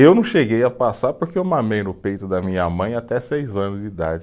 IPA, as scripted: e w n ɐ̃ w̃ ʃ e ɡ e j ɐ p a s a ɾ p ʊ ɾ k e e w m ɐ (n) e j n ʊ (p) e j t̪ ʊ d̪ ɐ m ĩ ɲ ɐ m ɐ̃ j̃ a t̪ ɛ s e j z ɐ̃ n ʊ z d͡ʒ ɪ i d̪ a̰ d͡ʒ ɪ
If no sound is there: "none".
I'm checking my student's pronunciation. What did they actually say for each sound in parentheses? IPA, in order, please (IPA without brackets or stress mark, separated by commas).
m, p